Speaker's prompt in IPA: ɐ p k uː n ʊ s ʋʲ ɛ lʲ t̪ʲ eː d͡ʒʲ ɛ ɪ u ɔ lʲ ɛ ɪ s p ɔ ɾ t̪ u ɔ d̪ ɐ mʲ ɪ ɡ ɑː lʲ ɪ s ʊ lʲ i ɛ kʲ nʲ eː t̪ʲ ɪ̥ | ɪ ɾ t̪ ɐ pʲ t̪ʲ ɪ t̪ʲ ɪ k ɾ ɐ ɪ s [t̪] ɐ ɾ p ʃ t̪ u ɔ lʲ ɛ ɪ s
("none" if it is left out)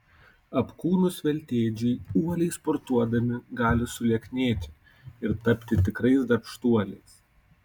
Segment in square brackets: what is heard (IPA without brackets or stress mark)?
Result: d̪